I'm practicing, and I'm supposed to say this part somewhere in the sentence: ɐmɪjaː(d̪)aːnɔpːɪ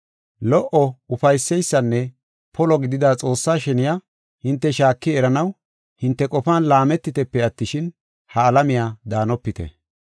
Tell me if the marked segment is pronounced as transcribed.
yes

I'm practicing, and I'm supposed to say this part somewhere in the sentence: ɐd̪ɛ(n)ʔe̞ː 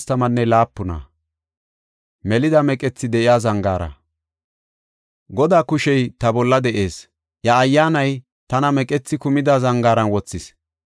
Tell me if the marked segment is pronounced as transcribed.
no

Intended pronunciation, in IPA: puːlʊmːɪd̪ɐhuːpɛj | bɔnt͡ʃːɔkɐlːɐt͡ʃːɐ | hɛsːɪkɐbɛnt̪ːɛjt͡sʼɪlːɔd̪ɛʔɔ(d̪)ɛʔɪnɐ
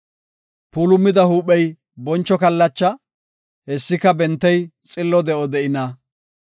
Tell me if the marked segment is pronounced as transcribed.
yes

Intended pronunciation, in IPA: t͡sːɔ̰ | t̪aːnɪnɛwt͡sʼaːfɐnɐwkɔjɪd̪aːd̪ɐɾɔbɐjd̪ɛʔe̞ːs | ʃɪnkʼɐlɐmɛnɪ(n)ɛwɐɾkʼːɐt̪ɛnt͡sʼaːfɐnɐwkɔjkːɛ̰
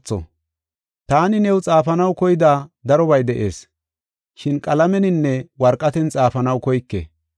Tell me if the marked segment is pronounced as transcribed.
no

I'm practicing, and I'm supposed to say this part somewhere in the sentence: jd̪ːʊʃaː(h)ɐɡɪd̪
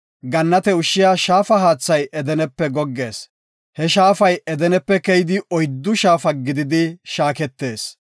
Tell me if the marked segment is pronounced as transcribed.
no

